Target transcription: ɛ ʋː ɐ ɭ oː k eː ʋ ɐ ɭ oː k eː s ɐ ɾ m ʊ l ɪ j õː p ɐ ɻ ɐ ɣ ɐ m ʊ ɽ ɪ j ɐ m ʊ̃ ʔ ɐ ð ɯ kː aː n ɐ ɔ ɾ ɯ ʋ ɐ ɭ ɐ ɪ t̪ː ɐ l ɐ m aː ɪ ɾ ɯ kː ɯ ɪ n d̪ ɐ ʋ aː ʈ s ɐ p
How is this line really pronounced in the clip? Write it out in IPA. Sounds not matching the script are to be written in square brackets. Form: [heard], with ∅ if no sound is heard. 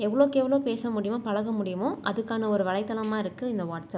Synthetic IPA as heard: ɛ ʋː ɐ ɭ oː k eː ʋ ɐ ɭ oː [p] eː s ɐ [∅] m ʊ [ɽ] ɪ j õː p ɐ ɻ ɐ ɣ ɐ m ʊ ɽ ɪ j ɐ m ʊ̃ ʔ ɐ ð ɯ kː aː n ɐ ɔ ɾ ɯ ʋ ɐ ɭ ɐ ɪ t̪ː ɐ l ɐ m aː ɪ ɾ ɯ kː ɯ ɪ n d̪ ɐ ʋ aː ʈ s ɐ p